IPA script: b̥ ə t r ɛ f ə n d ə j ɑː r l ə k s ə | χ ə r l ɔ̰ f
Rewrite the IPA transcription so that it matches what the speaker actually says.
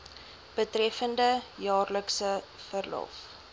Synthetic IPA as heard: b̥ ə t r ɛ f ə n d ə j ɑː r l ə k s ə | f ə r l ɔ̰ f